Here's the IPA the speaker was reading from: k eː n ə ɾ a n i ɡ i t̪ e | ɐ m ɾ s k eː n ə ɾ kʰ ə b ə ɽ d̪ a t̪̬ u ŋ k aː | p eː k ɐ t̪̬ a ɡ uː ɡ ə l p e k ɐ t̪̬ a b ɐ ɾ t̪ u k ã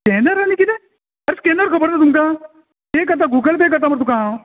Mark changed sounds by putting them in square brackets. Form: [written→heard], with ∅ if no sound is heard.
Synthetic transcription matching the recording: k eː n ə ɾ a n i [ɡ→k] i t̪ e | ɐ [m→∅] ɾ s k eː n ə ɾ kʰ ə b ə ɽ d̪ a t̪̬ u [ŋ→m] k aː | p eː k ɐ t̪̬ a ɡ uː ɡ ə l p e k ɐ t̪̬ a [b→m] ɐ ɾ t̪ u k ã

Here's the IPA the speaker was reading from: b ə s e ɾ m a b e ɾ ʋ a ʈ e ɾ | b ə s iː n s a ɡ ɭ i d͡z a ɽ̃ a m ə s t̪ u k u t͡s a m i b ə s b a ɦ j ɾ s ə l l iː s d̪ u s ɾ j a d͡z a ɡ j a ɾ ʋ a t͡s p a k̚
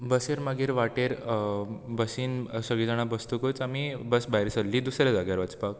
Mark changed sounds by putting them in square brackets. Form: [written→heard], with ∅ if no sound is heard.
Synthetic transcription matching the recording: b ə s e ɾ m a [b→ɡ] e ɾ ʋ a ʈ e ɾ | b ə s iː n s [a→ə] ɡ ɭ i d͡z a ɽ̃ a [m→b] ə s t̪ u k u t͡s a m i b ə s b a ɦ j ɾ s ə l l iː [s→∅] d̪ u s ɾ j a d͡z a ɡ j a ɾ ʋ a t͡s p a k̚

